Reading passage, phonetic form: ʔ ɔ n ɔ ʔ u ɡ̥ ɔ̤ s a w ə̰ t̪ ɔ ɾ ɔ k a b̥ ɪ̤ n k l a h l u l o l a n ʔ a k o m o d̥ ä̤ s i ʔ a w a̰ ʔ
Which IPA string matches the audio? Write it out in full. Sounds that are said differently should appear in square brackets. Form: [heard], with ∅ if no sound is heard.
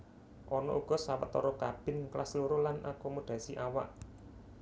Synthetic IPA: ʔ ɔ n ɔ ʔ u ɡ̥ ɔ̤ s a w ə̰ t̪ ɔ ɾ ɔ k a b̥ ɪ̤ n k l a [s] l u [ɾ] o l a n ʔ a k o m o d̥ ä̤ s i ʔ a w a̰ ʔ